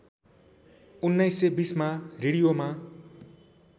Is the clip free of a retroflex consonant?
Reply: no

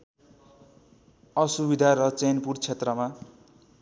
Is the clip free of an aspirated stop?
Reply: no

